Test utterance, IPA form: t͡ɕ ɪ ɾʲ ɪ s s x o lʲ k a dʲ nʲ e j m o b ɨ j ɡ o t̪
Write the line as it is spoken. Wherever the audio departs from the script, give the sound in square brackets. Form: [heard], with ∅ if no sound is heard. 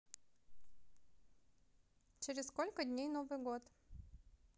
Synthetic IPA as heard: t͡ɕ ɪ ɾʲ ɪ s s [k] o lʲ k [ə] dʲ nʲ e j [n] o [v] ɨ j ɡ o t̪